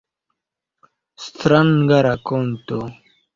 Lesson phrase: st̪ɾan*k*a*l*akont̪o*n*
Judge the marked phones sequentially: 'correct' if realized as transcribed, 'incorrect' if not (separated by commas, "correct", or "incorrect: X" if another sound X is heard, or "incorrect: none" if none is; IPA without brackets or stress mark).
incorrect: ɡ, incorrect: ɾ, incorrect: none